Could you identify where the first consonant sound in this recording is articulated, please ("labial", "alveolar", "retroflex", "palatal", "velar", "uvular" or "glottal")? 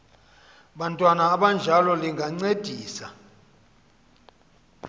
labial